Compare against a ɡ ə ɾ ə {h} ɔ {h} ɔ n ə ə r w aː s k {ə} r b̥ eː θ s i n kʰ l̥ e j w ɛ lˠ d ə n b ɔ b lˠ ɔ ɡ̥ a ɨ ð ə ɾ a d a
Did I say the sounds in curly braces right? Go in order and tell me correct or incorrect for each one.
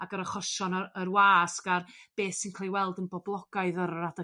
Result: incorrect: χ, incorrect: ʃ, incorrect: a

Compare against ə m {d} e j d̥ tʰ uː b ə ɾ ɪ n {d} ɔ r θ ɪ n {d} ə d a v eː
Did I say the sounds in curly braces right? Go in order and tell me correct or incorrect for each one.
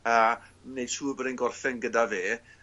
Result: incorrect: n, incorrect: ɡ, incorrect: ɡ

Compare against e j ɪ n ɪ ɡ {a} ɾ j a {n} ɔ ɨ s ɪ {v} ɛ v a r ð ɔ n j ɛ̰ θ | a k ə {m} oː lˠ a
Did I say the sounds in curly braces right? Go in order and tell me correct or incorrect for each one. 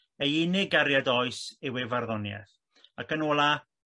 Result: correct, incorrect: d, incorrect: w, incorrect: n

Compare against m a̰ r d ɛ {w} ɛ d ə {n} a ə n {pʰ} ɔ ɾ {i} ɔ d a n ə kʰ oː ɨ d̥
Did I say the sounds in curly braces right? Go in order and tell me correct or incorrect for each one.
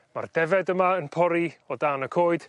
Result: incorrect: v, incorrect: m, correct, correct

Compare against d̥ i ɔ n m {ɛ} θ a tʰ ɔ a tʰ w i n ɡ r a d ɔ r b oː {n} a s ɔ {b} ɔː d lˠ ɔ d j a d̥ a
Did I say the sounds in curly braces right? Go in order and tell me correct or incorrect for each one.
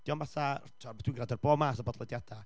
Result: incorrect: a, incorrect: m, correct

